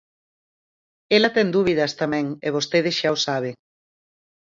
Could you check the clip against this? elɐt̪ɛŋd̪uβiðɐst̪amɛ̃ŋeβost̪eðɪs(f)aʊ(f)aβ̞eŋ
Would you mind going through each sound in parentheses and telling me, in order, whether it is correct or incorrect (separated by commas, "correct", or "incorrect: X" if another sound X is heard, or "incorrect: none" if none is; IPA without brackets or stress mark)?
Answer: incorrect: ʃ, incorrect: s